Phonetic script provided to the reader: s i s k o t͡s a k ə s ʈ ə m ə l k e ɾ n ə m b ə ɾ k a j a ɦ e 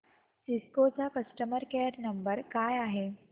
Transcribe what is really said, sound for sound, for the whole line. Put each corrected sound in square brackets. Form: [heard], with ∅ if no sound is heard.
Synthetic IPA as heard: s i s k o t͡s a k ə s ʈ ə m ə [ɾ] k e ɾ n ə m b ə ɾ k a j a ɦ e